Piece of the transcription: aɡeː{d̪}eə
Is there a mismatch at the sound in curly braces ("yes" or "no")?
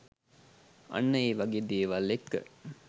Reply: no